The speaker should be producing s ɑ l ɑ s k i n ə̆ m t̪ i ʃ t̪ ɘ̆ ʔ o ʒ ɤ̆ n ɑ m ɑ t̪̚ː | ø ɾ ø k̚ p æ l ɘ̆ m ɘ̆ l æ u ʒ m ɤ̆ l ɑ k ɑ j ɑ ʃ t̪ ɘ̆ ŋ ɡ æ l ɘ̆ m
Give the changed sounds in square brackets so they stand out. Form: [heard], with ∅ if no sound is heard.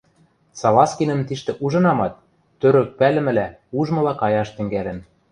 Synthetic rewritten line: s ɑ l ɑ s k i n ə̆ m t̪ i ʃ t̪ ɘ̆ ʔ [u] ʒ ɤ̆ n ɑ m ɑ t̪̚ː | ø ɾ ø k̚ p æ l ɘ̆ m ɘ̆ l æ u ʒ m ɤ̆ l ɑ k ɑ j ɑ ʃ t̪ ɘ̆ ŋ ɡ æ l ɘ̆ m